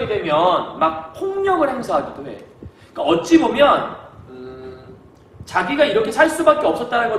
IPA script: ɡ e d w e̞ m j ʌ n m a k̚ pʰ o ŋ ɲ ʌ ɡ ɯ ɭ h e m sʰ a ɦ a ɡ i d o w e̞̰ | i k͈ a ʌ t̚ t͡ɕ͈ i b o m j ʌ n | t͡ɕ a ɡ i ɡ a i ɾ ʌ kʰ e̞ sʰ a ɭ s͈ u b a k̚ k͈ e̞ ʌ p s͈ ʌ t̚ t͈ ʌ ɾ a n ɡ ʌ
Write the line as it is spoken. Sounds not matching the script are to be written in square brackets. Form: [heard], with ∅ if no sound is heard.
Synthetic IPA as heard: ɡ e d w e̞ m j ʌ n m a k̚ pʰ o ŋ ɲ ʌ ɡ ɯ ɭ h e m sʰ a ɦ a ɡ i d o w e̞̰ | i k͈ a ʌ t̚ t͡ɕ͈ i b o m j ʌ n | t͡ɕ a ɡ i ɡ a i ɾ ʌ kʰ e̞ sʰ a ɭ s͈ u b a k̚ k͈ e̞ ʌ p s͈ ʌ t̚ t͈ [a] ɾ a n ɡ ʌ